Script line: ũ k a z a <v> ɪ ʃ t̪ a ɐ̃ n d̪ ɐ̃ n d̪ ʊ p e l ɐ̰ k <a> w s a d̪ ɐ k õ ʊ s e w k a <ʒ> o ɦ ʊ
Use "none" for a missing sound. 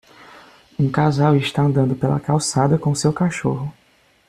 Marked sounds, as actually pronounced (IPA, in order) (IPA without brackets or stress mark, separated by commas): w, a, ʃ